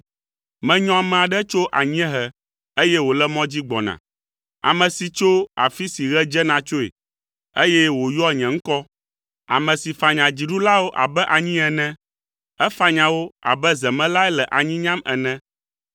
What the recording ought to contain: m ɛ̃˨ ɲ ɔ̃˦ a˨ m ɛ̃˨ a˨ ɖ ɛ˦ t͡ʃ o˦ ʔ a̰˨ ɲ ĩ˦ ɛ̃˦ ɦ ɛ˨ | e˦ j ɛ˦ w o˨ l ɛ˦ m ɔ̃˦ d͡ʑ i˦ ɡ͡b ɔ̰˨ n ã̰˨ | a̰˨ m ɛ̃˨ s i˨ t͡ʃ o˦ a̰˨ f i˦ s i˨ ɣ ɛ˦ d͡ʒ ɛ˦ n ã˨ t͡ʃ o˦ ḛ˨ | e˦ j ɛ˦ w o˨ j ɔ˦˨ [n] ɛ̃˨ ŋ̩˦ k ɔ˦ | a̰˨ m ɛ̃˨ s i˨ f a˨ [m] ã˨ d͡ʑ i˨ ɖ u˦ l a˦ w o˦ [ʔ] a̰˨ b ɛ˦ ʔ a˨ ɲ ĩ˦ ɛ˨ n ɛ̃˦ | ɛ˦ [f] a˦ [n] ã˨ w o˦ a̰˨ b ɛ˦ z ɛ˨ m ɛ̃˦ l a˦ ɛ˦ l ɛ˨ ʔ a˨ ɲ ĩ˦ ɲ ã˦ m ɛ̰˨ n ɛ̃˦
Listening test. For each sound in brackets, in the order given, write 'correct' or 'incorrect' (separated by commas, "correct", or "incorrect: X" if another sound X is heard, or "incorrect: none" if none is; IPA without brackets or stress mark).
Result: incorrect: ɲ, incorrect: ɲ, correct, correct, incorrect: ɲ